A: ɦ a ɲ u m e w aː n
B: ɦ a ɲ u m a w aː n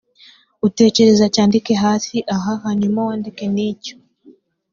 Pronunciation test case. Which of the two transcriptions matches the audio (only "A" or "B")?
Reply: B